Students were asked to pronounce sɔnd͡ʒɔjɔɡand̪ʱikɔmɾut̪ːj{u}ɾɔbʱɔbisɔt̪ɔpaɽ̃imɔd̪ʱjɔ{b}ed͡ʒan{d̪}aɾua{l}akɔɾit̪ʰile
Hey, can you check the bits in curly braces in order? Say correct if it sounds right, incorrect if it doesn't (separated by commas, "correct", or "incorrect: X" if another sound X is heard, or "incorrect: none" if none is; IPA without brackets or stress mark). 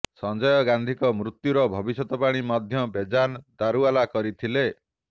correct, correct, correct, correct